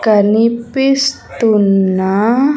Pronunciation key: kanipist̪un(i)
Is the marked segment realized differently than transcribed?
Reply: yes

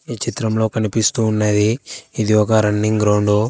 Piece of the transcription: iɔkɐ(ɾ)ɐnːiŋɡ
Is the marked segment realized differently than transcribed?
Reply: no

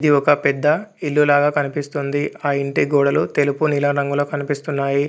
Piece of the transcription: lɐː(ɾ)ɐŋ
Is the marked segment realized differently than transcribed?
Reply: no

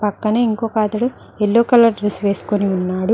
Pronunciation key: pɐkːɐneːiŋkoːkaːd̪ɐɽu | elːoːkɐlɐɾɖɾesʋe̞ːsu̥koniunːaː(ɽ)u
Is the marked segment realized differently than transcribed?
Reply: no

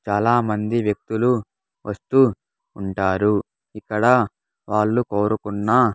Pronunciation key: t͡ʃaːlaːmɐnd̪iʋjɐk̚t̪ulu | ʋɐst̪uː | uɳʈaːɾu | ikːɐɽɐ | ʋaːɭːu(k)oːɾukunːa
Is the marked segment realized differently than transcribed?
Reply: no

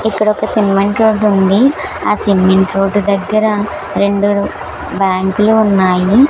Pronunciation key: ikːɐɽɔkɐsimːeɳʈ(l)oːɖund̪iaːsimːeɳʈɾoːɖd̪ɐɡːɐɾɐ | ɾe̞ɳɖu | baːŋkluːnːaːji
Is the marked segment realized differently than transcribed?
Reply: yes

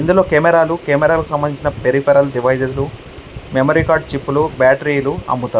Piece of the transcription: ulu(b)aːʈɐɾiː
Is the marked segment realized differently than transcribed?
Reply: no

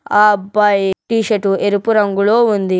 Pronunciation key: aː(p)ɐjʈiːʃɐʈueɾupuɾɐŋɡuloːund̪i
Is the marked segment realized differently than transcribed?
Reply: yes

